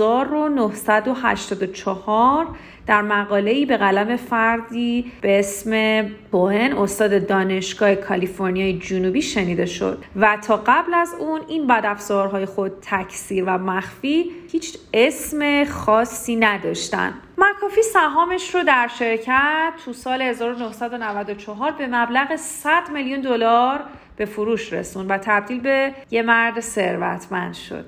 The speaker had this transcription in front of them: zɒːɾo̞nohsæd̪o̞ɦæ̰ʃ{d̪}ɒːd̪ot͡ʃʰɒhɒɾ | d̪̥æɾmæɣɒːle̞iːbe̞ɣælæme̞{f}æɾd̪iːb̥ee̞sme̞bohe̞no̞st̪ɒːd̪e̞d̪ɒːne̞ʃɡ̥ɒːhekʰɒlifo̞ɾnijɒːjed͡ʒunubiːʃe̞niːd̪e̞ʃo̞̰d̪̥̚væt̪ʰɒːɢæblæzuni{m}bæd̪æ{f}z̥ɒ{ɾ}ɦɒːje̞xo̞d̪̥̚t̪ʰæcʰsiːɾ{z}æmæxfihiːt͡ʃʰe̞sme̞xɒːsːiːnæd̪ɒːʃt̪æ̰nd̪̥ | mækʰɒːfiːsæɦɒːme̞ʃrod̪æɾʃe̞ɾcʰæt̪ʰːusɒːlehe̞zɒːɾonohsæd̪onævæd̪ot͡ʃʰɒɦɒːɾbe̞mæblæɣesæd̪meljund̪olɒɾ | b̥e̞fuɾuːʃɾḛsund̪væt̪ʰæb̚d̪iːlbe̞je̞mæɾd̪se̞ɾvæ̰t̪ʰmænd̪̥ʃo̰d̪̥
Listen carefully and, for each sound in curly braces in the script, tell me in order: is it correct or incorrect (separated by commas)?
incorrect, correct, incorrect, correct, correct, incorrect